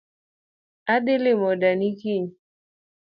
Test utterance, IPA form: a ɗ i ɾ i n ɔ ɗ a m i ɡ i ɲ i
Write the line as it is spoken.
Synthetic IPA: a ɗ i l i m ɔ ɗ a n i k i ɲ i